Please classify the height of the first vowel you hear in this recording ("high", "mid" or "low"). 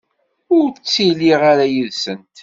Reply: high